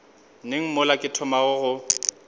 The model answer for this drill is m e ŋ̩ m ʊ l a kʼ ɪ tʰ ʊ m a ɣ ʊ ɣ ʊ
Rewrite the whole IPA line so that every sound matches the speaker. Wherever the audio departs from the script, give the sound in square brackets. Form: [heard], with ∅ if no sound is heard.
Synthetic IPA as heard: [n] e ŋ̩ m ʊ l a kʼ ɪ tʰ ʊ m a ɣ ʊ ɣ ʊ